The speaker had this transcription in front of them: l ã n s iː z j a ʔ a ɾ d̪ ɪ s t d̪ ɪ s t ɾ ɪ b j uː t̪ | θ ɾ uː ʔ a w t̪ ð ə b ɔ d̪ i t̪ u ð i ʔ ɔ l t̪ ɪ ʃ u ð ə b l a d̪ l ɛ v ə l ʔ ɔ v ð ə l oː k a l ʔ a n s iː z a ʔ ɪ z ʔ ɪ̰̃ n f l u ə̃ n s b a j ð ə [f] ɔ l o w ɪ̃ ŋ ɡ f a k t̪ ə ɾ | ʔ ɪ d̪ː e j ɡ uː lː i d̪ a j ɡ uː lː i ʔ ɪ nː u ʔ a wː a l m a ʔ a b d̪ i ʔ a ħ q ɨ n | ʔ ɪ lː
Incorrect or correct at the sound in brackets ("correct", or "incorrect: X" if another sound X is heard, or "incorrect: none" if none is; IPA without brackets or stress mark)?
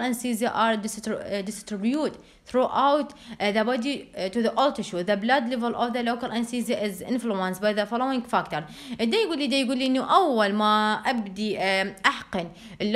correct